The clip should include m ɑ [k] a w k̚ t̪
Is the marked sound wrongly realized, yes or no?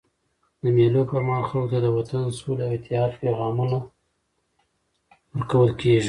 yes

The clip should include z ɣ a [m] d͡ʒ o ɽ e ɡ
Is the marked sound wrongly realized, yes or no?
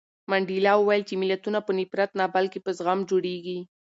no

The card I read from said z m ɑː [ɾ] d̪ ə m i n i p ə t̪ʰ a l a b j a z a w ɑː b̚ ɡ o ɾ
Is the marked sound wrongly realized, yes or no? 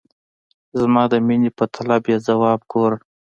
yes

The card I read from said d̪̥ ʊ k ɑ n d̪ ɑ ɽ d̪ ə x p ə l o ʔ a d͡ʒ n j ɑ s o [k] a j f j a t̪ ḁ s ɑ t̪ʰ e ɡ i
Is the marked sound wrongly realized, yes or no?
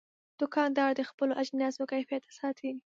no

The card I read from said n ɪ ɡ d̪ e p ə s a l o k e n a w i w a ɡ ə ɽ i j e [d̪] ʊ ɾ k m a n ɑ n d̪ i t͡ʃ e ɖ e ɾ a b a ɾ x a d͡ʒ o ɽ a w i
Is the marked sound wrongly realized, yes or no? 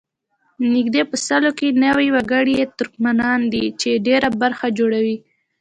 yes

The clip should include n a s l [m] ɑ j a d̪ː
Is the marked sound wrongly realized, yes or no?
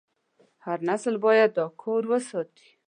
yes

